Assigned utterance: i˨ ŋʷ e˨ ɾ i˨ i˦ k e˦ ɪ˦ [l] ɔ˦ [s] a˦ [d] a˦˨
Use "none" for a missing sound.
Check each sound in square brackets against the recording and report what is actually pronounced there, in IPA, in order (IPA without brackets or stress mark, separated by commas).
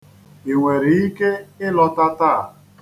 l, t, t